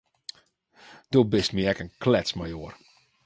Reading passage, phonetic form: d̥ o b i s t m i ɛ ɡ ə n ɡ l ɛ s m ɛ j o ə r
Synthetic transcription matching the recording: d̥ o b ɪ s t m i ɛ k ə n k l ɛ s m a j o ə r